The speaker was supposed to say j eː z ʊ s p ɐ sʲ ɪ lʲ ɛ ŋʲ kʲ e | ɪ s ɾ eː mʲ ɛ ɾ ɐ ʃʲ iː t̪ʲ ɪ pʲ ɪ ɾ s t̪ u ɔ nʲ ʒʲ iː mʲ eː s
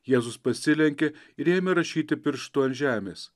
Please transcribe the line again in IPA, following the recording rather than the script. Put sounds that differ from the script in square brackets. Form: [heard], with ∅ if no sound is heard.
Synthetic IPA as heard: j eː z ʊ s p ɐ sʲ ɪ lʲ ɛ ŋʲ kʲ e | ɪ [∅] ɾ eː mʲ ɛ ɾ ɐ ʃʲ iː t̪ʲ ɪ pʲ ɪ ɾ [ʃ] t̪ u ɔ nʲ ʒʲ [æː] mʲ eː s